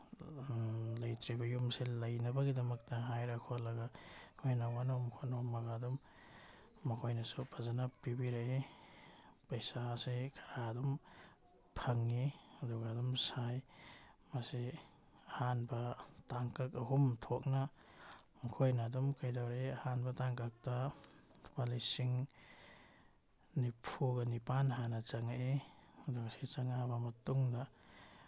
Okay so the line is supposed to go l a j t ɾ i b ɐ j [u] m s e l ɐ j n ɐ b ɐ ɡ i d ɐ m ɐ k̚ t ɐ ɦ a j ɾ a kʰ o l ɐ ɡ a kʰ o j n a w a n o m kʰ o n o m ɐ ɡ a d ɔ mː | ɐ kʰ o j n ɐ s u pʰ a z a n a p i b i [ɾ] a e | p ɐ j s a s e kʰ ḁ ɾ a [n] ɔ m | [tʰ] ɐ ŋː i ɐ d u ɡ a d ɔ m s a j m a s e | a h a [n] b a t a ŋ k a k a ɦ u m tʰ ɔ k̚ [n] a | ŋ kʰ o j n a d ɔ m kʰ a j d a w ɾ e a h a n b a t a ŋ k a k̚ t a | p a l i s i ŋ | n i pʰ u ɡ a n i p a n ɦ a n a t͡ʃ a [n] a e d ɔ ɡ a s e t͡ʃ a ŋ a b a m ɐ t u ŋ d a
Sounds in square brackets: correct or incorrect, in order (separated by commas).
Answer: correct, correct, incorrect, incorrect, correct, correct, incorrect